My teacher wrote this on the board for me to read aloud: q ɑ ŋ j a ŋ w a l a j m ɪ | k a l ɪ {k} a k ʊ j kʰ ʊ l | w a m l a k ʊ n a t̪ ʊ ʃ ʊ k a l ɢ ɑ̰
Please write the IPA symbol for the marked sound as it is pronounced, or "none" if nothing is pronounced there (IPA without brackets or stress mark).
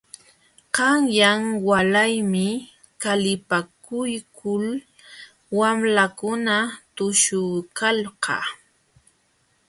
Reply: p